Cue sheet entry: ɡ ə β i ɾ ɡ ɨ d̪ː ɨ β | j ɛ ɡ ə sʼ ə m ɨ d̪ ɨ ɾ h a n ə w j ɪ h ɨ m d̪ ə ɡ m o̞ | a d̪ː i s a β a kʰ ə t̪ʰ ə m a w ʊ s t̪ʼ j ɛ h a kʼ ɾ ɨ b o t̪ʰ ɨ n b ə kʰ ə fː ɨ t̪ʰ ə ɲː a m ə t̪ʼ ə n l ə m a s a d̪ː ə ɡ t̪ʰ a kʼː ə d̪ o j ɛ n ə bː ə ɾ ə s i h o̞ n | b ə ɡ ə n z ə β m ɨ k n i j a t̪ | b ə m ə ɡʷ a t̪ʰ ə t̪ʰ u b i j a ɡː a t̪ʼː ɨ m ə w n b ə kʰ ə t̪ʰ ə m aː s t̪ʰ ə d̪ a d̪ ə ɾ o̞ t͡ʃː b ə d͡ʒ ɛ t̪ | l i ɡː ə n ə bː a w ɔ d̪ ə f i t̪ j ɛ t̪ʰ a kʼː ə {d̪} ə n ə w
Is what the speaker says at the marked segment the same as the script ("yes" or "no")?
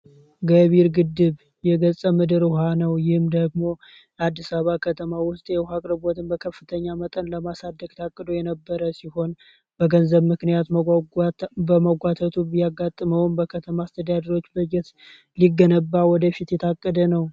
yes